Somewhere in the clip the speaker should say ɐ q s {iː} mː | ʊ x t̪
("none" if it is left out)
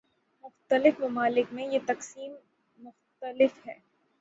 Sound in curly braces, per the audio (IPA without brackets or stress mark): iː